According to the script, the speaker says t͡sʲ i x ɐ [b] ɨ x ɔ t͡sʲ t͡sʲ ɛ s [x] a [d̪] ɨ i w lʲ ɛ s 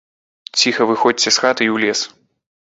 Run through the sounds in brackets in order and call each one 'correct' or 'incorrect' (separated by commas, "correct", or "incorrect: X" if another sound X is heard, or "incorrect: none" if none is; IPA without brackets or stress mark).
incorrect: v, correct, incorrect: t̪